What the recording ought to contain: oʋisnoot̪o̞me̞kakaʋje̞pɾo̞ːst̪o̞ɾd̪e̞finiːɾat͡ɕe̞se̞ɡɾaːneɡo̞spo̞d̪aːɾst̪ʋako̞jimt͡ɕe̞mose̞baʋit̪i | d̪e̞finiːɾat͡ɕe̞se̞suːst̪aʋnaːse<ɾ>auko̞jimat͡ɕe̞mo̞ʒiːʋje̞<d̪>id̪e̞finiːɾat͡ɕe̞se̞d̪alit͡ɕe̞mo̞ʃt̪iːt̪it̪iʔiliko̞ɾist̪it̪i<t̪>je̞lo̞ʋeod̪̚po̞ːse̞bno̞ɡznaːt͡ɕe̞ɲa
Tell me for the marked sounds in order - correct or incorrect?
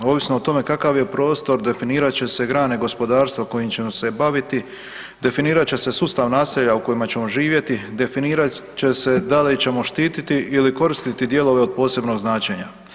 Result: incorrect: ʎ, incorrect: t̪, incorrect: d̪

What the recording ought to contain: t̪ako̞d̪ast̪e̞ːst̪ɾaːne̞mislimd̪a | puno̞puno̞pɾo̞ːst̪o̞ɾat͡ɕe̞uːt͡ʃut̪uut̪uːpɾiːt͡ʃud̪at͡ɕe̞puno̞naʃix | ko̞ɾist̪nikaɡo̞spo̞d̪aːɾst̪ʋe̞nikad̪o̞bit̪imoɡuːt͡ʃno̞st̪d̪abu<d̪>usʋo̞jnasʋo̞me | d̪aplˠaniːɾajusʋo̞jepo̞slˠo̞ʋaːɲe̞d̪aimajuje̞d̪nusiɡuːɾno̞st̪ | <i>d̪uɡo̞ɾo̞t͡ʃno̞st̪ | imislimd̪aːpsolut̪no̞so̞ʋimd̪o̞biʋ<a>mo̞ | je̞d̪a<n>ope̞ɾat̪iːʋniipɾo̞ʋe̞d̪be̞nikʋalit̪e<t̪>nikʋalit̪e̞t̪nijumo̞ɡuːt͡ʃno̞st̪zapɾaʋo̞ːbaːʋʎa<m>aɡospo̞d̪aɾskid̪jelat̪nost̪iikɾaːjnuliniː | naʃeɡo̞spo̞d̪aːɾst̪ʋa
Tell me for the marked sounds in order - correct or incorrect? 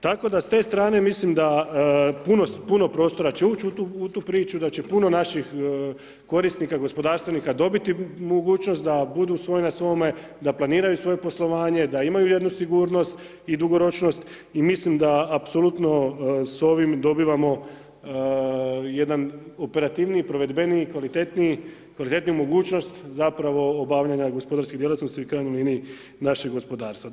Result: correct, correct, correct, correct, correct, incorrect: ɲ

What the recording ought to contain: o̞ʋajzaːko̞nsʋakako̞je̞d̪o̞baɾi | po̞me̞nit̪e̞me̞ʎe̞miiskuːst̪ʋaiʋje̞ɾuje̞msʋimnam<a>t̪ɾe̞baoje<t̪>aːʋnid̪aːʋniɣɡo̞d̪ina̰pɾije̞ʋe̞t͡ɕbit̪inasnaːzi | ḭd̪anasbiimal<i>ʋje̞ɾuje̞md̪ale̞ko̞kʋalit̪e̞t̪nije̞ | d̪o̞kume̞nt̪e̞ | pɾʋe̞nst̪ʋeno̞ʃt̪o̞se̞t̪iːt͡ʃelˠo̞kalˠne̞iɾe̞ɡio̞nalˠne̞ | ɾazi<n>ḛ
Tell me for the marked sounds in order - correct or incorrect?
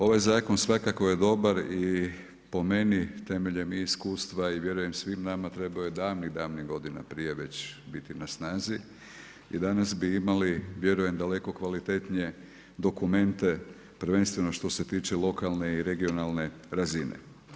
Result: correct, incorrect: d̪, correct, correct

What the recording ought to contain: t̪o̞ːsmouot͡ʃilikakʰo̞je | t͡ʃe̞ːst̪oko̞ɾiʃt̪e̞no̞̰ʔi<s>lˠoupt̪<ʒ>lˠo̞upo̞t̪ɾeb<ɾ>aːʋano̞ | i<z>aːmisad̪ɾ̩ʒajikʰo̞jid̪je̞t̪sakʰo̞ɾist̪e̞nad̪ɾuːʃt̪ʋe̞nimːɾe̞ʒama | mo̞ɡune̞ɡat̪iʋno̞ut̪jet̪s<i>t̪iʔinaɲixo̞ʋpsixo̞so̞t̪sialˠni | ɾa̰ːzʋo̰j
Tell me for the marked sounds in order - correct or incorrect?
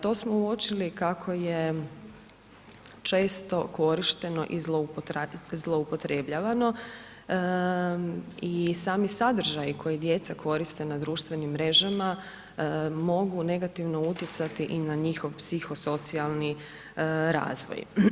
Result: incorrect: z, incorrect: z, incorrect: ʎ, incorrect: s, incorrect: a

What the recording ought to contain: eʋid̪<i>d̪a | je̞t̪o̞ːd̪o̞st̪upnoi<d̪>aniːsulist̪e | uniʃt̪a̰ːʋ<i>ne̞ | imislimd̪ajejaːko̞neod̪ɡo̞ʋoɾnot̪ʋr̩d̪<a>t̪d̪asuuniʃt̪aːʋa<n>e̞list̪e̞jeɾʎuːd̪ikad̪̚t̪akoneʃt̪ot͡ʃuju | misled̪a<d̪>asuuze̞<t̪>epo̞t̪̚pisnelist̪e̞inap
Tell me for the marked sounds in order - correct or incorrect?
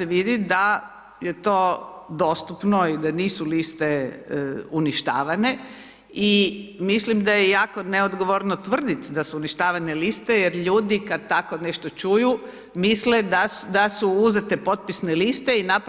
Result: correct, correct, incorrect: a, incorrect: i, correct, correct, correct

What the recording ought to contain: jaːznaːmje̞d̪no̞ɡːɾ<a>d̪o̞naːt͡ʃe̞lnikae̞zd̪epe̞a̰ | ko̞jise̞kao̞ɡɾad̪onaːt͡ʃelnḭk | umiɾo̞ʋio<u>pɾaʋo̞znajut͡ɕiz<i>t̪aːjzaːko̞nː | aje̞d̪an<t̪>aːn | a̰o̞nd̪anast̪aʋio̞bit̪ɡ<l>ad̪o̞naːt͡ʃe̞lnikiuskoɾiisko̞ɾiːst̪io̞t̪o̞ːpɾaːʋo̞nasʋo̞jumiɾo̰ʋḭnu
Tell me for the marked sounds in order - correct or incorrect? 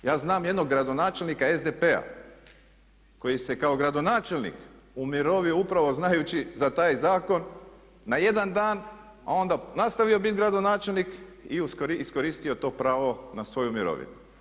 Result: correct, correct, incorrect: a, incorrect: d̪, incorrect: ɾ

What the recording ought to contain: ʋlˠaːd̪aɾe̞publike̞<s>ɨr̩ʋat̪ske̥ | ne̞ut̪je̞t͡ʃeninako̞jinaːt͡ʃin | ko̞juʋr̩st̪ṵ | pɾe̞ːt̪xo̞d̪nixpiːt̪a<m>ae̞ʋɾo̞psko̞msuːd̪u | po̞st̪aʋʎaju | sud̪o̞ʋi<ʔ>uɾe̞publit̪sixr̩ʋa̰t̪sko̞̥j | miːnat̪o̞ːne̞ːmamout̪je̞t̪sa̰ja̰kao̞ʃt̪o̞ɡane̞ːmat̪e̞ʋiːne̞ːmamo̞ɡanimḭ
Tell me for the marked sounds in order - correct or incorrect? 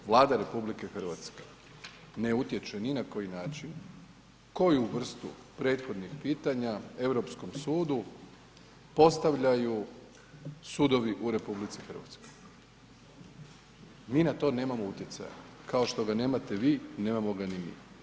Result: incorrect: x, incorrect: ɲ, correct

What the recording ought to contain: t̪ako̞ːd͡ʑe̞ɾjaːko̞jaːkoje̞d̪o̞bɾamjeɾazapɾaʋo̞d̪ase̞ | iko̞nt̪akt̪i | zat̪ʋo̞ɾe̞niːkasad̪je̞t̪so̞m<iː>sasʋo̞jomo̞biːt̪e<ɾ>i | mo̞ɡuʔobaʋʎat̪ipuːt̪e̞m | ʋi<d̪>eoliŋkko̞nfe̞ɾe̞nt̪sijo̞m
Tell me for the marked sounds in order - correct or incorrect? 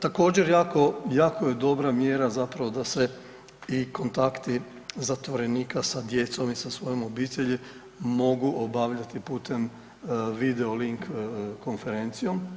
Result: incorrect: i, incorrect: ʎ, correct

